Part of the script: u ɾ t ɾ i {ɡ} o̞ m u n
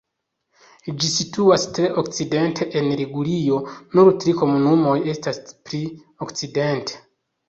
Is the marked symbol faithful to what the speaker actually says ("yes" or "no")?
no